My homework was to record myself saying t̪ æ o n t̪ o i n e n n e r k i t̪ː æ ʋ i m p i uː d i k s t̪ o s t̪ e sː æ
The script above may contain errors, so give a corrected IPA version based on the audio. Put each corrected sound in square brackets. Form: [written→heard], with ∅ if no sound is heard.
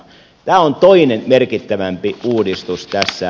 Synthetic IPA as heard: t̪ [æ→æː] o n t̪ o i n e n [n→m] e r k i t̪ː æ ʋ [i→æ] m p i uː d i [k→∅] s t̪ [o→u] s t̪ [e→æ] sː æ